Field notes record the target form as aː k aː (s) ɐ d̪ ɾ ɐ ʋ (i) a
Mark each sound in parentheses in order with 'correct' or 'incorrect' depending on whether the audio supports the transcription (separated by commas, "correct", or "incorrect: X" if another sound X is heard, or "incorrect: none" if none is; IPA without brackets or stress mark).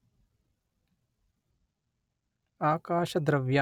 incorrect: ʃ, incorrect: j